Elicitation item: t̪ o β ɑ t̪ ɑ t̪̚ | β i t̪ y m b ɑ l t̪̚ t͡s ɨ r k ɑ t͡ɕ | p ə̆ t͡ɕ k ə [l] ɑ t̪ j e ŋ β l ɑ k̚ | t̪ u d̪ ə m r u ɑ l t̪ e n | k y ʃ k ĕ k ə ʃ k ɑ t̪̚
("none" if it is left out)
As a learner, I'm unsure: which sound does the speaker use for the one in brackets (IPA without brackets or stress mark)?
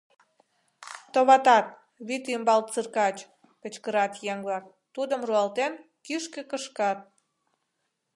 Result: ɾ